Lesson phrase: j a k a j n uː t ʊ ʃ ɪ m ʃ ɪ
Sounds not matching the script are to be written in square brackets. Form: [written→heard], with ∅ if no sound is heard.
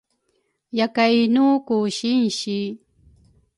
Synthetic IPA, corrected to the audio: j a k a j n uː [t→k] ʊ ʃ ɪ [m→n] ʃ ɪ